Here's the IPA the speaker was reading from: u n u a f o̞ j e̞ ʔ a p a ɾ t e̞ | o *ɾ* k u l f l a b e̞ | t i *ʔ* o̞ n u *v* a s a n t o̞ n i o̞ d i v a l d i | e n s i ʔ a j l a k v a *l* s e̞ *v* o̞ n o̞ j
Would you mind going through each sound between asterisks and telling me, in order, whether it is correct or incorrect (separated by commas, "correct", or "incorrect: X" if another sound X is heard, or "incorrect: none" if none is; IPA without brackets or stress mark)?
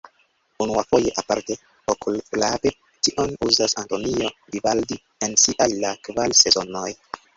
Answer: incorrect: none, correct, incorrect: z, correct, incorrect: z